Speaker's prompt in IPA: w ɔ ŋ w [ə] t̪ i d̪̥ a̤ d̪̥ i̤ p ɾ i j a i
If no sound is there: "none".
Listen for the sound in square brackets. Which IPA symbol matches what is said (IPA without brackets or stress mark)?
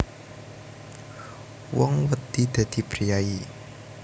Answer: ə